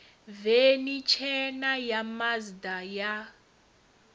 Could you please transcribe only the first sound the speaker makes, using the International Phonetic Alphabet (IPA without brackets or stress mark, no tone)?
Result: v